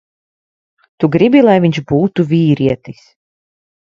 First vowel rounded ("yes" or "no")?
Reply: yes